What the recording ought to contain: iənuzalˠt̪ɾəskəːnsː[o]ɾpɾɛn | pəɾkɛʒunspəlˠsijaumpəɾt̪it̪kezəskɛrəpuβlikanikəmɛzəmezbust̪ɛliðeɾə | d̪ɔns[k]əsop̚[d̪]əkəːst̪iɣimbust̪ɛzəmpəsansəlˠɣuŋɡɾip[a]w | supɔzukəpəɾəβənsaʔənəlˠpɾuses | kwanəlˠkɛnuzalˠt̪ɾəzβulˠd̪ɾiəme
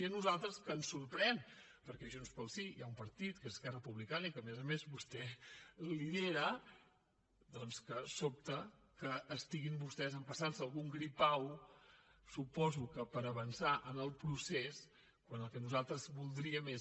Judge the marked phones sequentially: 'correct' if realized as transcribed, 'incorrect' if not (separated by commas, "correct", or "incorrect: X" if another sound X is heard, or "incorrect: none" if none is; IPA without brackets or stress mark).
incorrect: u, correct, incorrect: t̪, correct